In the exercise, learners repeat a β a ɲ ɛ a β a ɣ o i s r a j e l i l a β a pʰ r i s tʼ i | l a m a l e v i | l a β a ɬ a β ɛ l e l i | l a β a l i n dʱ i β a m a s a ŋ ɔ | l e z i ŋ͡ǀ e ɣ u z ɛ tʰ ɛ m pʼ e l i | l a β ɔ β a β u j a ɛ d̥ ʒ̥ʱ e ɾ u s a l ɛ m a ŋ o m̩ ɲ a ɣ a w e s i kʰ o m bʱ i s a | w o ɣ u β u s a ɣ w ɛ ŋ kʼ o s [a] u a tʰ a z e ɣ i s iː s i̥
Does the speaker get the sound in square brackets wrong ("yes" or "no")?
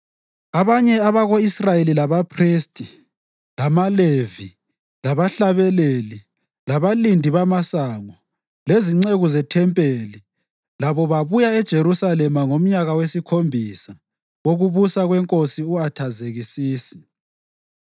yes